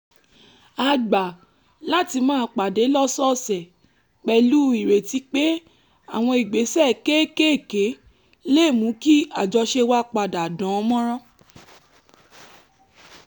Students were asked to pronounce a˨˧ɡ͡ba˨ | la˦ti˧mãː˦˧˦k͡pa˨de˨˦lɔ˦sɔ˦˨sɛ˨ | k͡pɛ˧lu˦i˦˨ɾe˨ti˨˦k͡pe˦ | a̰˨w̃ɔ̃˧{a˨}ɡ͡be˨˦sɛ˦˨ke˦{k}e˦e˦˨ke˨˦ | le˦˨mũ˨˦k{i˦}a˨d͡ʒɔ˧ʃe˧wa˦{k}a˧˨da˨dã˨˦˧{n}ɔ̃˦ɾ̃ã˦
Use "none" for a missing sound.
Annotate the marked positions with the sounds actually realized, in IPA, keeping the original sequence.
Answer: i˨, k, i˦, k͡p, m

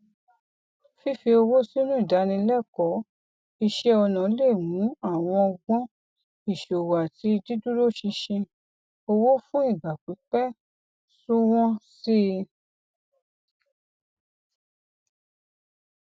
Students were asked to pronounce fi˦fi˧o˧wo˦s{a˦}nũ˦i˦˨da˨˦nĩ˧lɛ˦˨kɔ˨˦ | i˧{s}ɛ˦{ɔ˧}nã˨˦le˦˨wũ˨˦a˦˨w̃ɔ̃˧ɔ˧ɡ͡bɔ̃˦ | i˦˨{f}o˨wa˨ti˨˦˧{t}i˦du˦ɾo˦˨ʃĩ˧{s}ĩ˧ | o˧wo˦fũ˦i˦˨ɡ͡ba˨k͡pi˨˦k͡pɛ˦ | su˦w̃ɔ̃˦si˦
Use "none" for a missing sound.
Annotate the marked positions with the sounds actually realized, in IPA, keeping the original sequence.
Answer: i˦, ʃ, ɔ˧, ʃ, d, ʃ

